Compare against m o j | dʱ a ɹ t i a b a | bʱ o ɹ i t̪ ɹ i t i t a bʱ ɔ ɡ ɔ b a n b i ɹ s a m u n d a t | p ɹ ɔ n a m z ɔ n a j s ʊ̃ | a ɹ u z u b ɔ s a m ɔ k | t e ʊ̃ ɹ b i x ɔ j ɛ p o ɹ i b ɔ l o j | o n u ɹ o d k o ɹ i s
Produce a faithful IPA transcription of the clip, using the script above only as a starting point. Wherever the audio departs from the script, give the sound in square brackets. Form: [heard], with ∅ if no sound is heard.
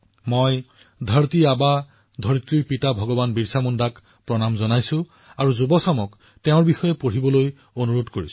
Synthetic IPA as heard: m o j | dʱ a ɹ t i a b a | [dʱ] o ɹ i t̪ ɹ i [p] i t a bʱ ɔ ɡ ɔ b a n b i ɹ s a m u n d a [k] | p ɹ ɔ n a m z ɔ n a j s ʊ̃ | a ɹ u z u b ɔ s a m ɔ k | t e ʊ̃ ɹ b i x ɔ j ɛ p o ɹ i b ɔ l o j | o n u ɹ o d k o ɹ i s